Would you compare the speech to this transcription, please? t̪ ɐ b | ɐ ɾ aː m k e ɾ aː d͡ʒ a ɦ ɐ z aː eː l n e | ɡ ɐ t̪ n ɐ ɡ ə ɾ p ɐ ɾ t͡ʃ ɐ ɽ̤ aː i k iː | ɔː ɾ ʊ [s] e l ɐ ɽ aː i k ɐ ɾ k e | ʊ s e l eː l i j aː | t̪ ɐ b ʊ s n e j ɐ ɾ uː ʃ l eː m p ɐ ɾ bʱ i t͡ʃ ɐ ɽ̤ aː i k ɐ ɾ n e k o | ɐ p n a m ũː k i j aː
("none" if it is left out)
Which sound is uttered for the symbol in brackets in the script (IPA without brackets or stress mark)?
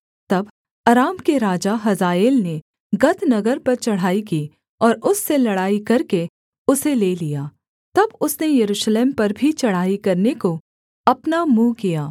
sː